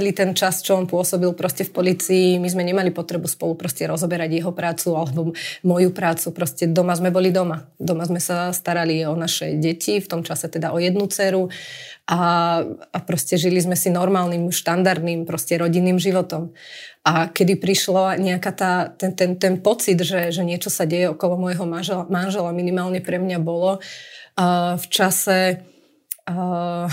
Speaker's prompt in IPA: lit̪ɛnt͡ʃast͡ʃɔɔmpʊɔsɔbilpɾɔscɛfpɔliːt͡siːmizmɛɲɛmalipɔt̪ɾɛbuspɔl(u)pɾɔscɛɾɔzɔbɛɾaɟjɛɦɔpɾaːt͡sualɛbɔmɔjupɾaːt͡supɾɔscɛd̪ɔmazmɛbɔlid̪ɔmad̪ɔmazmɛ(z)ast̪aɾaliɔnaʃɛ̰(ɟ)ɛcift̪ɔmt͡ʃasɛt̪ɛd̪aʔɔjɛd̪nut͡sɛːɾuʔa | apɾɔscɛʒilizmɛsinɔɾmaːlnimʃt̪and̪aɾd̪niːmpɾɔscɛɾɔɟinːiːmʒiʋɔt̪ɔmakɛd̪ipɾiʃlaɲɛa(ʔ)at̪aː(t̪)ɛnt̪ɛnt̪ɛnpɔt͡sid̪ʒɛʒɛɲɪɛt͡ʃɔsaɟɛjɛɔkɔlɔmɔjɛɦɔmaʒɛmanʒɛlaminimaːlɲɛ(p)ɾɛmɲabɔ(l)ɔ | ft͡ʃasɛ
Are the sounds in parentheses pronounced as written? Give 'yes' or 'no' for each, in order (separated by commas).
yes, no, yes, no, yes, yes, yes